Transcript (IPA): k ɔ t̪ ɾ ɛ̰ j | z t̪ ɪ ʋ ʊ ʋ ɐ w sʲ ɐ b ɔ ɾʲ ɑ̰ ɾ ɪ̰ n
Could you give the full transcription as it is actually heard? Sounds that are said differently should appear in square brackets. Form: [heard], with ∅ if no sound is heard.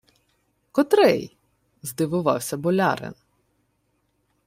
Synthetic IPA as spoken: k ɔ t̪ ɾ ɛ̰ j | z [d̪] ɪ ʋ ʊ ʋ [ɑ] w sʲ ɐ b ɔ [lʲ] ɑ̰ ɾ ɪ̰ n